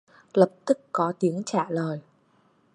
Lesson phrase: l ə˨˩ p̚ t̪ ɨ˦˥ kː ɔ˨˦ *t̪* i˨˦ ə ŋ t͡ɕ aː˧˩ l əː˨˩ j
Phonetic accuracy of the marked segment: correct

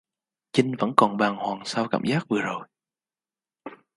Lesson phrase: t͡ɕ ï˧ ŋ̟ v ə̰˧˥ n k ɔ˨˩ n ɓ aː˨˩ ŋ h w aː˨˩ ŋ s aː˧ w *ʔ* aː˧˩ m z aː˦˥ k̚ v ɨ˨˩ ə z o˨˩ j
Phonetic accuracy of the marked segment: incorrect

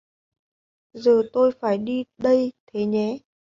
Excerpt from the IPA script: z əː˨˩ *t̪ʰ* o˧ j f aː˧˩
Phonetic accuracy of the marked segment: incorrect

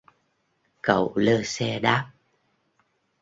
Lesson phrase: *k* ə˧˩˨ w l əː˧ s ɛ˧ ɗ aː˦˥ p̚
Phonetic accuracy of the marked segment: correct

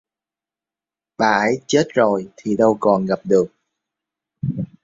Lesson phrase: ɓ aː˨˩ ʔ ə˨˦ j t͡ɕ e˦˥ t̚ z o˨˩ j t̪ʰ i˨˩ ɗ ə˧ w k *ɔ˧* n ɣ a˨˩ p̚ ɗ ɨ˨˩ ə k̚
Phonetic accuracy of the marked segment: incorrect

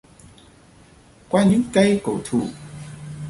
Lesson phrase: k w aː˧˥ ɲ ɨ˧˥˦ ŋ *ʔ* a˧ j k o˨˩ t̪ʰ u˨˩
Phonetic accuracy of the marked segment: incorrect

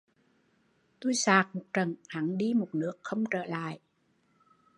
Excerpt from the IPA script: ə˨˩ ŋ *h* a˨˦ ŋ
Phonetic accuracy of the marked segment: correct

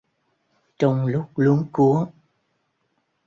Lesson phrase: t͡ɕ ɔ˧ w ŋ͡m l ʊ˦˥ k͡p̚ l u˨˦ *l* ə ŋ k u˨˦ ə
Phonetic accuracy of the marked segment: incorrect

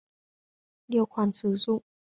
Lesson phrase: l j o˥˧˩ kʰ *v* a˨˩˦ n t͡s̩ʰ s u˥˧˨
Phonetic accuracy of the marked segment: incorrect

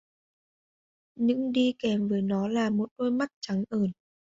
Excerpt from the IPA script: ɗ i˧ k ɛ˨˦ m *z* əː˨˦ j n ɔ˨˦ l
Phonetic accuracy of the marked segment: incorrect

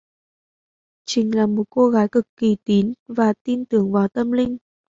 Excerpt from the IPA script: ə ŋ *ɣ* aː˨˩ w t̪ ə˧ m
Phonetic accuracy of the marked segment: incorrect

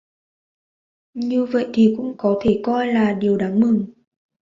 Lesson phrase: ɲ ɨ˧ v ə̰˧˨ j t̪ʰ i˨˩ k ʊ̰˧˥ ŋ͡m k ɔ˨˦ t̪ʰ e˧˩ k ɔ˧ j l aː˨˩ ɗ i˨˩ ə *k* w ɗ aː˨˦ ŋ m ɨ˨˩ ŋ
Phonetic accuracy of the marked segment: incorrect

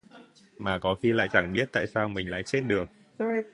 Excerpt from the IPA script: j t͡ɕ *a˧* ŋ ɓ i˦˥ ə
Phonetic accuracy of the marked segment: incorrect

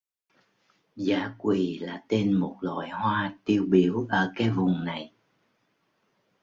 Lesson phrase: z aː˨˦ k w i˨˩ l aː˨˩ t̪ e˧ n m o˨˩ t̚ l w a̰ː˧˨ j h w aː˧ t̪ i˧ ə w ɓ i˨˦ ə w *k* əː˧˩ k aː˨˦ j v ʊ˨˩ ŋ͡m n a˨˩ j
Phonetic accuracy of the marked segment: incorrect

